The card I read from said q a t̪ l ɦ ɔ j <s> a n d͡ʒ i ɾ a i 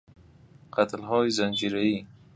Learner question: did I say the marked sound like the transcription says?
no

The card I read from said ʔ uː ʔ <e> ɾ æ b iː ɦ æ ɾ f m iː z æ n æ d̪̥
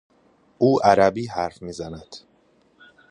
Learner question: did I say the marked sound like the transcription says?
no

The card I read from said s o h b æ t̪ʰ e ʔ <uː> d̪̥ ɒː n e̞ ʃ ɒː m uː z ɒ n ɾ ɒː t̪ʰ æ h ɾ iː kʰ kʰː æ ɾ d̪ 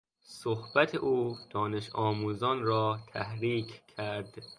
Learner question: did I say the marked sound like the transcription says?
yes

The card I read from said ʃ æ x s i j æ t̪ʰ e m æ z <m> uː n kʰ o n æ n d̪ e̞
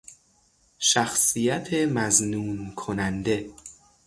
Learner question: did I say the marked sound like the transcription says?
no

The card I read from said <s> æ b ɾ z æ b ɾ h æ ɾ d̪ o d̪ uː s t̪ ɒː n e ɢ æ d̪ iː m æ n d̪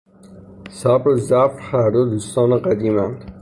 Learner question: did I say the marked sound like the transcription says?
yes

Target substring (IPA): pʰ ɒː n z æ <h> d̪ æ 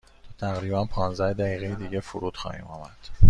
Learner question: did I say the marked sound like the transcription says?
yes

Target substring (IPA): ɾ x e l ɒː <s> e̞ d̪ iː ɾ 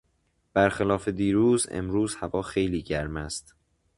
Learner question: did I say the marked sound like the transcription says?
no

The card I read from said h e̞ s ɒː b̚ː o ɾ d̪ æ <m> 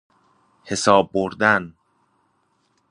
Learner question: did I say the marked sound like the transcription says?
no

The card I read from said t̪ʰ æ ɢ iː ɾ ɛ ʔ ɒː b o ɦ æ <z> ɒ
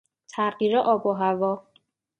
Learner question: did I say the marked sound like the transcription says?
no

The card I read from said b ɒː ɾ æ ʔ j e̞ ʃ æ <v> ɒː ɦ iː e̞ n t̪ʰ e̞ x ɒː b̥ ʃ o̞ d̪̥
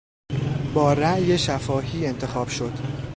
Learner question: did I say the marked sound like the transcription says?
no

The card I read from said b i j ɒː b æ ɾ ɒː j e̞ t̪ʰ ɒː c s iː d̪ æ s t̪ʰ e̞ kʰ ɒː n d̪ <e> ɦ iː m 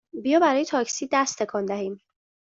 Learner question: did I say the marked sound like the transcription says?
no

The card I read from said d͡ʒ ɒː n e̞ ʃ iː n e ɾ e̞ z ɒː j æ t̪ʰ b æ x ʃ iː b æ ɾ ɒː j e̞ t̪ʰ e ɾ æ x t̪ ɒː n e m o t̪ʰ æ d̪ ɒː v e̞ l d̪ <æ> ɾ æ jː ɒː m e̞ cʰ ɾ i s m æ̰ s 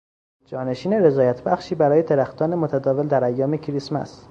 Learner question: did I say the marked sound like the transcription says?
yes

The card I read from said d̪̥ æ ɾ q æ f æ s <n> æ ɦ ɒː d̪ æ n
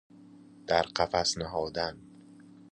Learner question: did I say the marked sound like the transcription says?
yes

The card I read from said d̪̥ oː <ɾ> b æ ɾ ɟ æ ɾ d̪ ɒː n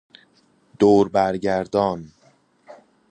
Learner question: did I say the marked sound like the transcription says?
yes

